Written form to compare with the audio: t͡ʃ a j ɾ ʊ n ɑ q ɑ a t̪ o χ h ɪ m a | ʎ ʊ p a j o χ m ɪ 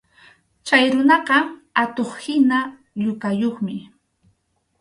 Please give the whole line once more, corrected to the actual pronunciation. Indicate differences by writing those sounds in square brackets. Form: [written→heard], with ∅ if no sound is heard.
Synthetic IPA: t͡ʃ a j ɾ ʊ n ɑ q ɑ a t̪ o χ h ɪ [m→n] a | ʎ ʊ [p→k] a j o χ m ɪ